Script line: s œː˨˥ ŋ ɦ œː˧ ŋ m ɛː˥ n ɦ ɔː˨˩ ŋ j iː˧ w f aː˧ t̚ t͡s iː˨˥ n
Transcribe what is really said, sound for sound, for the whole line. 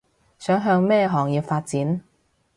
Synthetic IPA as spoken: s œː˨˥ ŋ ɦ œː˧ ŋ m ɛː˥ ɦ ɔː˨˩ ŋ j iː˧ w f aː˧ t̚ t͡s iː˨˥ n